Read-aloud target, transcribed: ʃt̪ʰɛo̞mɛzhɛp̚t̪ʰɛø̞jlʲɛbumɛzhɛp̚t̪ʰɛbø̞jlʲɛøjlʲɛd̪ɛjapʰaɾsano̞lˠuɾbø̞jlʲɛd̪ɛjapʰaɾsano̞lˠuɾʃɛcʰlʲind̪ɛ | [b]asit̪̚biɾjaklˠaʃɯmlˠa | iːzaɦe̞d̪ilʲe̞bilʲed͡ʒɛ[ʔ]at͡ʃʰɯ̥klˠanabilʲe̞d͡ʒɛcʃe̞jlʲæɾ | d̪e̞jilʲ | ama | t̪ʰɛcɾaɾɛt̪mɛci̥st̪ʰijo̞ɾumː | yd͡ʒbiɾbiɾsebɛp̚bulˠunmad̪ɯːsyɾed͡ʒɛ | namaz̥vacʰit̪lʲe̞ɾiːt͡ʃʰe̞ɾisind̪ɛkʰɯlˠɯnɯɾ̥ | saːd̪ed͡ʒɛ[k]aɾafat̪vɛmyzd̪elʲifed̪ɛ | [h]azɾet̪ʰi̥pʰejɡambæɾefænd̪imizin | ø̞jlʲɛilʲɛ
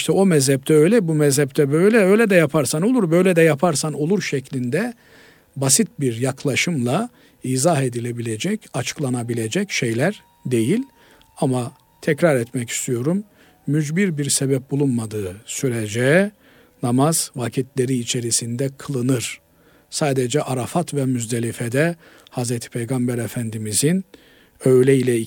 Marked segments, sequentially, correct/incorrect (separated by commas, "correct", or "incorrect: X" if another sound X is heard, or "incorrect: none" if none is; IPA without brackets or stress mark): correct, incorrect: c, incorrect: ʔ, correct